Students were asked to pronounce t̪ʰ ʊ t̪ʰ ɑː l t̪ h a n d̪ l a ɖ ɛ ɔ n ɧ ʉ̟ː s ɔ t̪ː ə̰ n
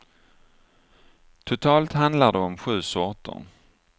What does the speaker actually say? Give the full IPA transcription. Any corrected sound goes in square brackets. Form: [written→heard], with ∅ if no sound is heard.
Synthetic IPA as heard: t̪ʰ ʊ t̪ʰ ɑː l t̪ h a n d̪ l a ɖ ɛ ɔ [n→m] ɧ ʉ̟ː s ɔ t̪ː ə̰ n